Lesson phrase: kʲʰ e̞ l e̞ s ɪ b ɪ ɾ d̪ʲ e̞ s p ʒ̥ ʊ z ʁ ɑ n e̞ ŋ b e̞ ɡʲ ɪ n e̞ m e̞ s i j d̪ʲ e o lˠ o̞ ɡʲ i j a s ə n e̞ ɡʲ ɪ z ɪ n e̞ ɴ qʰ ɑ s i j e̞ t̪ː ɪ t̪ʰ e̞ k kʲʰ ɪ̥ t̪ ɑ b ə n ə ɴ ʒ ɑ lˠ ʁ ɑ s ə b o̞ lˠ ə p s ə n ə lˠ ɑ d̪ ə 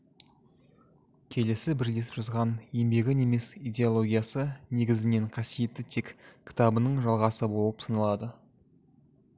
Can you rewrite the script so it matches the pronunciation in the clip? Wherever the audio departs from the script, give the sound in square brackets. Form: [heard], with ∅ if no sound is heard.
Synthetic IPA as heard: kʲʰ e̞ l e̞ s ɪ b ɪ ɾ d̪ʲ e̞ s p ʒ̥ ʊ z ʁ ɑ n e̞ [m] b e̞ ɡʲ ɪ n e̞ m e̞ s i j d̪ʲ e o lˠ o̞ ɡʲ i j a s ə n e̞ ɡʲ ɪ z ɪ n e̞ ɴ qʰ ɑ s i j e̞ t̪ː ɪ t̪ʰ e̞ k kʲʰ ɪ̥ t̪ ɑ b ə n ə ɴ ʒ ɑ lˠ ʁ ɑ s ə b o̞ lˠ ə p s ə n ə lˠ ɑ d̪ ə

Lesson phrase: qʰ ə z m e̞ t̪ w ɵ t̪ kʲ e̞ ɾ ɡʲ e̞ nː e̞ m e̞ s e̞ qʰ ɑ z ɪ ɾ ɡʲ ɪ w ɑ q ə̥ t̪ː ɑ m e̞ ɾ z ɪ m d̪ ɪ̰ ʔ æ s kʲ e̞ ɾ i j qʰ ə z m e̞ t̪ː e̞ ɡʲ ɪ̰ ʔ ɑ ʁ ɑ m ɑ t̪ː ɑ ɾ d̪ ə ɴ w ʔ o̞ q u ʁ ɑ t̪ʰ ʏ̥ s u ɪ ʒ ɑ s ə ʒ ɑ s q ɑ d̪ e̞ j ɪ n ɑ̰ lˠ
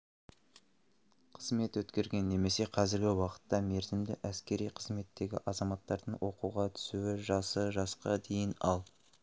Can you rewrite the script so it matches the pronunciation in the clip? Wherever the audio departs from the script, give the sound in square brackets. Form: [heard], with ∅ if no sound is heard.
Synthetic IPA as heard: qʰ ə z m e̞ t̪ w ɵ t̪ kʲ e̞ ɾ ɡʲ e̞ nː e̞ m e̞ s e̞ qʰ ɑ z ɪ ɾ ɡʲ ɪ w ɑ q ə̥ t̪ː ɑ m e̞ ɾ z ɪ m d̪ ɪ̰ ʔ æ s kʲ e̞ ɾ i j qʰ ə z m e̞ t̪ː e̞ ɡʲ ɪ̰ ʔ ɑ [z] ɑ m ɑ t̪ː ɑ ɾ d̪ ə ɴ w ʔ o̞ q u ʁ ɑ t̪ʰ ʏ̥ s u ɪ ʒ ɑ s ə ʒ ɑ s q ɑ d̪ e̞ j ɪ n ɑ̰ lˠ

